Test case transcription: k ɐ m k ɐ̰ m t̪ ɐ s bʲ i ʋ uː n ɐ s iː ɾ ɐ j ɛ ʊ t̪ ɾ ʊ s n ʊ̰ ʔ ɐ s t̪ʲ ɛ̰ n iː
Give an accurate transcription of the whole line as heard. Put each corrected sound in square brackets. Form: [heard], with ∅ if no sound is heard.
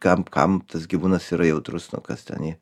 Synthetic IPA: k ɐ m k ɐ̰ m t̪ ɐ s [ɡʲ] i ʋ uː n ɐ s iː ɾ ɐ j ɛ ʊ t̪ ɾ ʊ s n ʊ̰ [k] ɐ s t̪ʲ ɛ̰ n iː

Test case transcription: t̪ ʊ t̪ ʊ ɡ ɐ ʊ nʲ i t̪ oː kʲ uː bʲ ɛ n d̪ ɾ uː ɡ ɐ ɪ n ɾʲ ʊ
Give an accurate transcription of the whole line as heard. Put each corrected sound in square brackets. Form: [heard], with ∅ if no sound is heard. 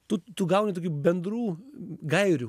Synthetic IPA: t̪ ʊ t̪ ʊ ɡ ɐ ʊ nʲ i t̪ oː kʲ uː bʲ ɛ n d̪ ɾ uː ɡ ɐ ɪ [∅] ɾʲ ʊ

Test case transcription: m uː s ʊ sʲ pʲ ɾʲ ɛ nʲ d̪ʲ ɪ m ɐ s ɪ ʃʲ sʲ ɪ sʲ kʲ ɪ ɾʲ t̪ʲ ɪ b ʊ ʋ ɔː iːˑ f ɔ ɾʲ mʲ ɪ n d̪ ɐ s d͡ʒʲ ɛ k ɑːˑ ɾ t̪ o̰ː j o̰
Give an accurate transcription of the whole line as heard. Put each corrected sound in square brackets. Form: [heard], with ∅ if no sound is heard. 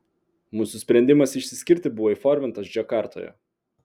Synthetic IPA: m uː s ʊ sʲ pʲ ɾʲ ɛ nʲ d̪ʲ ɪ m ɐ s ɪ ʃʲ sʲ ɪ sʲ kʲ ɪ ɾʲ t̪ʲ ɪ b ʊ ʋ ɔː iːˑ f ɔ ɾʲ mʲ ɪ n [t̪] ɐ s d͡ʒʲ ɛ k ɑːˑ ɾ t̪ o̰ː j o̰

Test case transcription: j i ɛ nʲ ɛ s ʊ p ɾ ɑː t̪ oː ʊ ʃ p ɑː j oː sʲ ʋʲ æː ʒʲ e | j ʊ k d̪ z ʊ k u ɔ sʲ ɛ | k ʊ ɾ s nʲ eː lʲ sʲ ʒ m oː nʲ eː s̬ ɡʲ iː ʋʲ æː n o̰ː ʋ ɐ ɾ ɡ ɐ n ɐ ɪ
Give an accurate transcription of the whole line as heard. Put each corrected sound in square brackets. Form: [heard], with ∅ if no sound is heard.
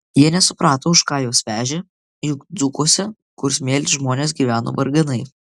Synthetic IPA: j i ɛ nʲ ɛ s ʊ p ɾ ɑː t̪ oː ʊ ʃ [k] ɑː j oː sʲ ʋʲ æː ʒʲ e | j ʊ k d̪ z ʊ k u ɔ sʲ ɛ | k ʊ ɾ s [mʲ] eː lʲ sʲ ʒ m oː nʲ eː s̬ ɡʲ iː ʋʲ æː n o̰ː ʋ ɐ ɾ ɡ ɐ n ɐ ɪ

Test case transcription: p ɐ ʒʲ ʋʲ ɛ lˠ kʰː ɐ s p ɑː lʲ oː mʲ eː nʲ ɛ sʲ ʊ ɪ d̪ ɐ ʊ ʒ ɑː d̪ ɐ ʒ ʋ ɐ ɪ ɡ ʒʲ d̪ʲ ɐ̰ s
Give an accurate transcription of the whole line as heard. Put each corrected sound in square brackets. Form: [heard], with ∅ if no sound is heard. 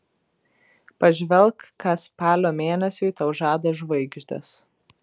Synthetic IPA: p ɐ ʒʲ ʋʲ ɛ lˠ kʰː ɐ s p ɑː lʲ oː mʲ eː nʲ ɛ sʲ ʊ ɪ [t̪] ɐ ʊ ʒ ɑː d̪ ɐ ʒ ʋ ɐ ɪ ɡ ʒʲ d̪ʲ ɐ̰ s

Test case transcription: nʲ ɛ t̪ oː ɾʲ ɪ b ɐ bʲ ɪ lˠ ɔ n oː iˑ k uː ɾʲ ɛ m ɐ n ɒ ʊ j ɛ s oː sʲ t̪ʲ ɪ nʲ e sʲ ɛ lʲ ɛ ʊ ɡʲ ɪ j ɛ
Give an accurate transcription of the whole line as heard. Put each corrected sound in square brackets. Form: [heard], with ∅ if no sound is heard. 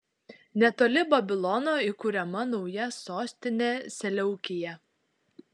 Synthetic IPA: nʲ ɛ t̪ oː [lʲ] ɪ b ɐ bʲ ɪ lˠ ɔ n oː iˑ k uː ɾʲ ɛ m ɐ n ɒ ʊ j ɛ s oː sʲ t̪ʲ ɪ nʲ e sʲ ɛ lʲ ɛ ʊ [kʲ] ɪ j ɛ

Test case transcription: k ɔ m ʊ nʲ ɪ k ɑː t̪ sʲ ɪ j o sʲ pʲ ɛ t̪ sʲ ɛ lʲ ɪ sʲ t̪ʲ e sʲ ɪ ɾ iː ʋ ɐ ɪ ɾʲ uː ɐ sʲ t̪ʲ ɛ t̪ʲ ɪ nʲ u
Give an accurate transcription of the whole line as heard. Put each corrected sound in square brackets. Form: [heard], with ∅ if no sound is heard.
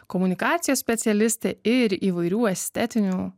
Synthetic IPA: k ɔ m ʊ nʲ ɪ k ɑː t̪ sʲ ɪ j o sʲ pʲ ɛ t̪ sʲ ɛ lʲ ɪ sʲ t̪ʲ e [∅] ɪ ɾ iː ʋ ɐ ɪ ɾʲ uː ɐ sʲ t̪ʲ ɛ t̪ʲ ɪ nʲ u

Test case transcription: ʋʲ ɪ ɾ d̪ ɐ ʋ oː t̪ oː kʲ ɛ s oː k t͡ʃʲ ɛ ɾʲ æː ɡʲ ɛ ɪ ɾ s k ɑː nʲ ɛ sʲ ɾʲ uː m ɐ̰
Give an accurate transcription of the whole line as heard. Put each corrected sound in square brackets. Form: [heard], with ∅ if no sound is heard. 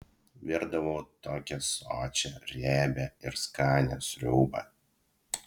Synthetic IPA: ʋʲ ɪ ɾ d̪ ɐ ʋ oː t̪ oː kʲ ɛ s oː [∅] t͡ʃʲ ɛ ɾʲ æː [bʲ] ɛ ɪ ɾ s k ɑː nʲ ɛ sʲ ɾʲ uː [b] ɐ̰

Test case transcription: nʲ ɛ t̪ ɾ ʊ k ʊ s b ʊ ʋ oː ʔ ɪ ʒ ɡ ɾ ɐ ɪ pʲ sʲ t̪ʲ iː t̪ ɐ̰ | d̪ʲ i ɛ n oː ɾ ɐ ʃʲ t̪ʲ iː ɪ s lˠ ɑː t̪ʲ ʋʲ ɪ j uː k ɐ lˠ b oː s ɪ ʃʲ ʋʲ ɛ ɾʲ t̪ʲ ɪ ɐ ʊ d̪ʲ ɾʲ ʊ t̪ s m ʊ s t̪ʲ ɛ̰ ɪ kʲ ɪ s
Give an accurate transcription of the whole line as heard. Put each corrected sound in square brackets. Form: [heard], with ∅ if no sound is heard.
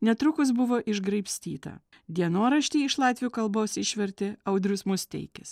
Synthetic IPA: nʲ ɛ t̪ ɾ ʊ k ʊ s b ʊ ʋ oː ʔ ɪ ʒ ɡ ɾ ɐ ɪ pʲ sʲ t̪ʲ iː t̪ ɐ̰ | d̪ʲ i ɛ n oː ɾ ɐ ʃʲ t̪ʲ iː ɪ [ʃ] lˠ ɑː t̪ʲ ʋʲ ɪ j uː k ɐ lˠ b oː s ɪ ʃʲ ʋʲ ɛ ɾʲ t̪ʲ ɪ ɐ ʊ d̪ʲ ɾʲ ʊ [∅] s m ʊ s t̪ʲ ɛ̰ ɪ kʲ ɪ s

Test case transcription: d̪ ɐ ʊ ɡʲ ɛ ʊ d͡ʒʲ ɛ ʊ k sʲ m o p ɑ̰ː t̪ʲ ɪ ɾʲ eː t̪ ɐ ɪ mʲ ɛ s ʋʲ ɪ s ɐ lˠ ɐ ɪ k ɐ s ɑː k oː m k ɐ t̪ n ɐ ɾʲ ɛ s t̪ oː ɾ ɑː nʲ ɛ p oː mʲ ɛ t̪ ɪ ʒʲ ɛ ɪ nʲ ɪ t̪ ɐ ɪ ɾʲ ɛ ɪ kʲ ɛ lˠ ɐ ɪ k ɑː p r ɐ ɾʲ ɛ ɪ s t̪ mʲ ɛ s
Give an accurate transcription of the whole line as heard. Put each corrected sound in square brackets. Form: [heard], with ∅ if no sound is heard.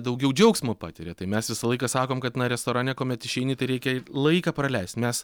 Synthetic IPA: d̪ ɐ ʊ ɡʲ ɛ ʊ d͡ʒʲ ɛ ʊ k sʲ m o p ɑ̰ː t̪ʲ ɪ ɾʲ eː t̪ ɐ ɪ mʲ ɛ s ʋʲ ɪ s ɐ lˠ ɐ ɪ k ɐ s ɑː k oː m k ɐ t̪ n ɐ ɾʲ ɛ s t̪ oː ɾ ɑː nʲ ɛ [k] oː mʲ ɛ t̪ ɪ [ʃʲ] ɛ ɪ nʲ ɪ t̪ ɐ ɪ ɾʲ ɛ ɪ kʲ ɛ lˠ ɐ ɪ k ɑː p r ɐ [lʲ] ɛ ɪ s t̪ mʲ ɛ s

